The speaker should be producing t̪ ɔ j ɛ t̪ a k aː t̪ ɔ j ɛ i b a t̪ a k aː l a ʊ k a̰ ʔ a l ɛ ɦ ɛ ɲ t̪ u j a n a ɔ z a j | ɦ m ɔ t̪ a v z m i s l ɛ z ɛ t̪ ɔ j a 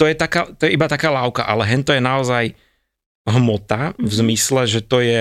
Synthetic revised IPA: t̪ ɔ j ɛ t̪ a k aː t̪ ɔ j ɛ i b a t̪ a k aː l a ʊ k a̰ ʔ a l ɛ ɦ ɛ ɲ t̪ ɔ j ɛ n a ɔ z a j | ɦ m ɔ t̪ a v z m i s l ɛ ʒ ɛ t̪ ɔ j ɛ